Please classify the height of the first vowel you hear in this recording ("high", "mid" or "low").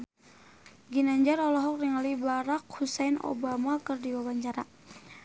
high